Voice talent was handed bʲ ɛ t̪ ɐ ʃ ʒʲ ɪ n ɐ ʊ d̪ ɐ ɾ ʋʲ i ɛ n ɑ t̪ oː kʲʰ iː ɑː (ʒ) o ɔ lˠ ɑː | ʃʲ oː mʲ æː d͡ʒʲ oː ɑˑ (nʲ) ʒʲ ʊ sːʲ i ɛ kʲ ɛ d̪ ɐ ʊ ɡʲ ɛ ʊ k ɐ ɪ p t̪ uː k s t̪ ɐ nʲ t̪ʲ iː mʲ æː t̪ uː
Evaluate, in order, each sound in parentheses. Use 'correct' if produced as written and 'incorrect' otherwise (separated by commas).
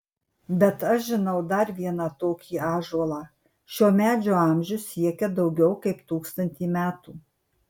correct, incorrect